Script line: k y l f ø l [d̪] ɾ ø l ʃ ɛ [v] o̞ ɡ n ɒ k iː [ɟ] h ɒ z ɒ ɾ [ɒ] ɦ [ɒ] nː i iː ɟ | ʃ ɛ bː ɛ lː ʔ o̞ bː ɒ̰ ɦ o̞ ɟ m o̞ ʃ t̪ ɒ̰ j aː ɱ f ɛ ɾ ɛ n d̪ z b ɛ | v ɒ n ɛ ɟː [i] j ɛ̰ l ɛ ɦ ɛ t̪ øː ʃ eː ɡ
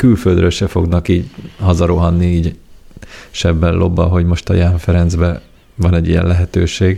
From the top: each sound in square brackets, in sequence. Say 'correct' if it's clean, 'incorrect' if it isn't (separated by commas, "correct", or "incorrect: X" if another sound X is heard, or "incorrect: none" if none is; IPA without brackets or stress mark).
correct, incorrect: f, correct, incorrect: o, correct, correct